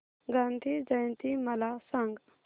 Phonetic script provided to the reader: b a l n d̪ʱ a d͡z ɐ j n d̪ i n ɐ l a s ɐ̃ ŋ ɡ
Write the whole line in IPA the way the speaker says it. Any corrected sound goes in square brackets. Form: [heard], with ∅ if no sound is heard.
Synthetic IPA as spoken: [ɡ] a [∅] n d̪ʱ [i] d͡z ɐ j n [t̪] i [m] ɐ l a s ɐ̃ ŋ ɡ